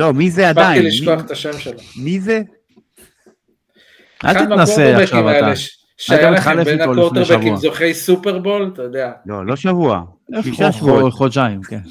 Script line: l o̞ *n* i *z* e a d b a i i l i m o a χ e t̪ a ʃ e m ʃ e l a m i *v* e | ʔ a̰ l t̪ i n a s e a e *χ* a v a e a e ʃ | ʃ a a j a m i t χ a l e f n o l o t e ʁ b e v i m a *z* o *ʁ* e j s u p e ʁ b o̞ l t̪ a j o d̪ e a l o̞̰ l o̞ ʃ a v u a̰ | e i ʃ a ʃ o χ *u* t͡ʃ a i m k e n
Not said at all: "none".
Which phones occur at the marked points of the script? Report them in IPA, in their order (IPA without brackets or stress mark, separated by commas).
m, z, z, ʃ, z, χ, o